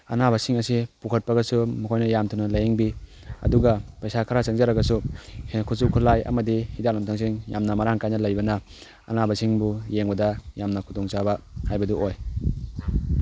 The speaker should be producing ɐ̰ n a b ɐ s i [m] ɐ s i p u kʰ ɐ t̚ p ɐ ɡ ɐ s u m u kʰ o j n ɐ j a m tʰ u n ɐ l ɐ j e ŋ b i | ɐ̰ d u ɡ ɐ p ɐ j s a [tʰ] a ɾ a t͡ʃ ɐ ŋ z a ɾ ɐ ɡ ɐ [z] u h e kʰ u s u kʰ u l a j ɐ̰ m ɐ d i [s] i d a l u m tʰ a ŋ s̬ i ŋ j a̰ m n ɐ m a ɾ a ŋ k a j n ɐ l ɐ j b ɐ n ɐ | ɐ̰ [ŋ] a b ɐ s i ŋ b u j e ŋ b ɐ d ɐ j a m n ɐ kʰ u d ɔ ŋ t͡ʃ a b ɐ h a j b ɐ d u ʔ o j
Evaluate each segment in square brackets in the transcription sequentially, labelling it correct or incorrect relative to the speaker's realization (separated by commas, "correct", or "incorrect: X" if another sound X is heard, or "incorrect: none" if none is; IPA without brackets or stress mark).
incorrect: ŋ, incorrect: kʰ, incorrect: s, incorrect: h, incorrect: n